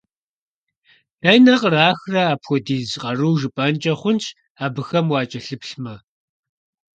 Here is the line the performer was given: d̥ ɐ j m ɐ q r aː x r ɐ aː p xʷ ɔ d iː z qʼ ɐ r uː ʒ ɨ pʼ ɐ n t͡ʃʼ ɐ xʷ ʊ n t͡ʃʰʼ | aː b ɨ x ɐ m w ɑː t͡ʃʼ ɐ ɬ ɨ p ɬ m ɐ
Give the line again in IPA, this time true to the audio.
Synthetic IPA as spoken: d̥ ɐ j n ɐ q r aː x r ɐ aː p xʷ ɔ d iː z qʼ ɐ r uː ʒ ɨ pʼ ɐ n t͡ʃʼ ɐ χʷ ʊ n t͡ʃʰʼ | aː b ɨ x ɐ m w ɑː t͡ʃʼ ɐ ɬ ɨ p ɬ m ɐ